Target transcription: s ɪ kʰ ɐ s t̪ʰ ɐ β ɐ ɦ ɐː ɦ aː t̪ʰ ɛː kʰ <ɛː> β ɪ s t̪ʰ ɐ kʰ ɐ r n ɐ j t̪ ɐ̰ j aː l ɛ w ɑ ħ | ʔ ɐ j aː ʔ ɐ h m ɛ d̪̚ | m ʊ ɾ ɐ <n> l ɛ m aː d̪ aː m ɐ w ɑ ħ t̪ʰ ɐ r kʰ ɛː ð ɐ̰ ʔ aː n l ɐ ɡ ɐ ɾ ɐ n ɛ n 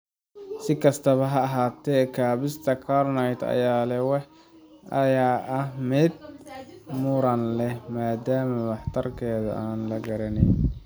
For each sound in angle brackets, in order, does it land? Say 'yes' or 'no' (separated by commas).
no, yes